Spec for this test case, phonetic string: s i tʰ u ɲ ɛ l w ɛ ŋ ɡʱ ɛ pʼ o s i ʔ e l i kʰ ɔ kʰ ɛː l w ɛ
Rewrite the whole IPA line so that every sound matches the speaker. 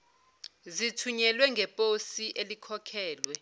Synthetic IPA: z i tʰ u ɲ ɛ l w ɛ ŋ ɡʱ ɛ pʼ o s i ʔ e l i kʰ ɔ kʰ ɛː l w ɛ